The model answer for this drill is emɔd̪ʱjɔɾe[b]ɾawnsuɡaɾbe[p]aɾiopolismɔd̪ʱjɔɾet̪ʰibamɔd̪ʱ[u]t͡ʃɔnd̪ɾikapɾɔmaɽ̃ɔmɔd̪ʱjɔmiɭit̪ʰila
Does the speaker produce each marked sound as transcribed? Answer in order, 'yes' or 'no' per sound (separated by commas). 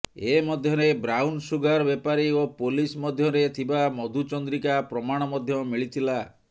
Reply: yes, yes, yes